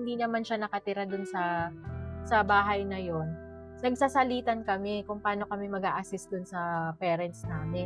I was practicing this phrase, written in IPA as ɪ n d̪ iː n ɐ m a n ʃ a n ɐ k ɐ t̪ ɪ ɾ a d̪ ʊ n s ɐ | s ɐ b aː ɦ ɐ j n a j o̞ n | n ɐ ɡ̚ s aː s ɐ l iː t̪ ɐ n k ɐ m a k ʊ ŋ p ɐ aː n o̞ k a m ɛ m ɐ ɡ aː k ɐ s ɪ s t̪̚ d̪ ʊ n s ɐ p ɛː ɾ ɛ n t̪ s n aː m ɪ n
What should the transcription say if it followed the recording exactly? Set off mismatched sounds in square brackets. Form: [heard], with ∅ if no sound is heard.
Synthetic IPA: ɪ n d̪ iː n ɐ m a n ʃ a n ɐ k ɐ t̪ ɪ ɾ a d̪ ʊ n s ɐ | s ɐ b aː ɦ ɐ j n [ɐ] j o̞ n | n ɐ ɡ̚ s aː s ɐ l iː t̪ ɐ n k ɐ m [ɛ] k ʊ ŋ p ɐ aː n o̞ k [ɐ] m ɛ m ɐ ɡ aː [ʔ] ɐ s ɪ s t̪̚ d̪ ʊ n s ɐ p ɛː ɾ ɛ n t̪ s n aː m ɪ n